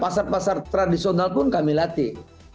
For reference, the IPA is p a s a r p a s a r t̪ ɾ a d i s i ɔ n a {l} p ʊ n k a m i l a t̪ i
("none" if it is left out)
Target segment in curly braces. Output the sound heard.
l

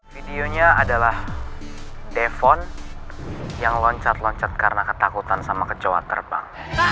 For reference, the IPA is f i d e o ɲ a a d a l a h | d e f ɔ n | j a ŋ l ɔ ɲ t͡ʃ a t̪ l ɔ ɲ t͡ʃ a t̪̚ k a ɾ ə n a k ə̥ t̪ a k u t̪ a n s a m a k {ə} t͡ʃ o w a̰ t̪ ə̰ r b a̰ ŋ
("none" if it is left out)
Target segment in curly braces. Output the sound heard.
ə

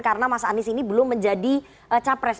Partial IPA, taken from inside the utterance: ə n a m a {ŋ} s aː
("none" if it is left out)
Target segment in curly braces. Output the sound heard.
none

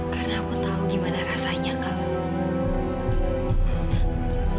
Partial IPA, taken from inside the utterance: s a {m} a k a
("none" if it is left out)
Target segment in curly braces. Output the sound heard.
ɲ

